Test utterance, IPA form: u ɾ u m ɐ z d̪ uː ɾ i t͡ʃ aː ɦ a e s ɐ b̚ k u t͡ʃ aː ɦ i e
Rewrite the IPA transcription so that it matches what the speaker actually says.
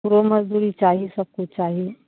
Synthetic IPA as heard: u ɾ o m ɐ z d̪ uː ɾ i t͡ʃ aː ɦ i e s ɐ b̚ k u t͡ʃ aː ɦ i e